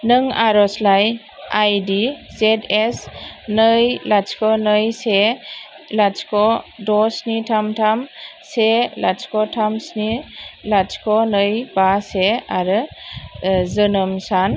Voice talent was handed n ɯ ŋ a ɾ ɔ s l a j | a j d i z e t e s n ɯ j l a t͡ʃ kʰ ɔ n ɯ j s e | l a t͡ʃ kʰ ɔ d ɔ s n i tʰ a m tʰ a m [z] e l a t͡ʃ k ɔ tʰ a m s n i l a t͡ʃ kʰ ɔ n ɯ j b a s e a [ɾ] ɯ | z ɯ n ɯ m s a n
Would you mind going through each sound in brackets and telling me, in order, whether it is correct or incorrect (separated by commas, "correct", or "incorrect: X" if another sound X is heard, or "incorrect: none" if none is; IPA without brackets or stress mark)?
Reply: incorrect: s, correct